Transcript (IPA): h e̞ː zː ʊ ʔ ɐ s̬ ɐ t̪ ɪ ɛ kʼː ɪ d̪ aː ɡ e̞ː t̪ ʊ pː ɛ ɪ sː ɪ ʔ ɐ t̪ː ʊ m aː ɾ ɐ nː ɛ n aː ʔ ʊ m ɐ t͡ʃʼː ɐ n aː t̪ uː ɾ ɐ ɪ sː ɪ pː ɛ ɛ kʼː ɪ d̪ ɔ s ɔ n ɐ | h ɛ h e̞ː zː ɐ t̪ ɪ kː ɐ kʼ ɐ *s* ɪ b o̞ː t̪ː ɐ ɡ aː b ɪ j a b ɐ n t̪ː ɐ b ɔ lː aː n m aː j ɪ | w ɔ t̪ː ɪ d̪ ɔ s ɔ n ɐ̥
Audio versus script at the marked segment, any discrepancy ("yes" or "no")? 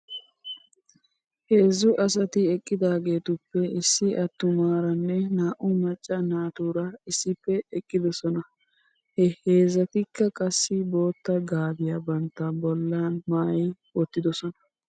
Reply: yes